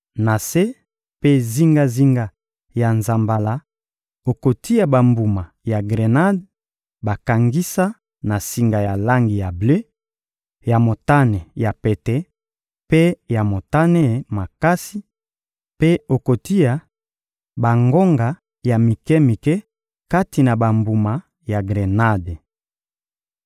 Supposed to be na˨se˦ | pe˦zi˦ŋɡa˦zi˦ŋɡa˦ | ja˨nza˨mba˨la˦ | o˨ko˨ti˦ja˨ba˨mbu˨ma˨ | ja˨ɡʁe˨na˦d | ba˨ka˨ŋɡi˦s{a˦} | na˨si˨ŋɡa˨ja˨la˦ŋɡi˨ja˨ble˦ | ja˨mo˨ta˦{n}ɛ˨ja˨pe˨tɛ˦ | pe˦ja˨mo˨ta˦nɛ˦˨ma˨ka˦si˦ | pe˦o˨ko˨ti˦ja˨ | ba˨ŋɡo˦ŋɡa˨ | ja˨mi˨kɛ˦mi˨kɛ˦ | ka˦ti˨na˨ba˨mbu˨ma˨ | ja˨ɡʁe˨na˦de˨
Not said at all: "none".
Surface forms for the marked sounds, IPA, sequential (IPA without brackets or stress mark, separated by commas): a˦, n